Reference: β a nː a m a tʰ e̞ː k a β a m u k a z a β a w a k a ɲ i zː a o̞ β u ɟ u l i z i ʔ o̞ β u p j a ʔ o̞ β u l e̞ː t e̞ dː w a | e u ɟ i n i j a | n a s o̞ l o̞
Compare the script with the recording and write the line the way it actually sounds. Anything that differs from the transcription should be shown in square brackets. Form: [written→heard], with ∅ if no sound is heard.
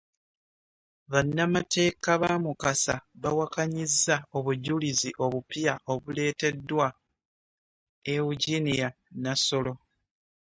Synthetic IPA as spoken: β a nː a m a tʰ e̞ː k a β a m u k a [z→s] a β a w a k a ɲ i zː a o̞ β u ɟ u l i z i ʔ o̞ β u p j a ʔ o̞ β u l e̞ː t e̞ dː w a | e u ɟ i n i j a | n a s o̞ l o̞